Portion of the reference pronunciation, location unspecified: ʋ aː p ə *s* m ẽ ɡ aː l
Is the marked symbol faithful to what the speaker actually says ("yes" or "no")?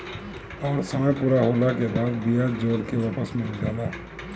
yes